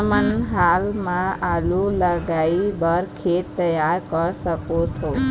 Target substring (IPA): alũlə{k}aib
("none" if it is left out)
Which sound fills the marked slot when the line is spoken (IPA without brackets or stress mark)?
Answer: ɡ